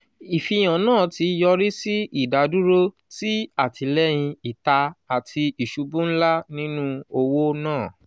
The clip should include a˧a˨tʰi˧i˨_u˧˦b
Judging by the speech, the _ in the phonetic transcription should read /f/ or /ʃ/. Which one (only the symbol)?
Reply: ʃ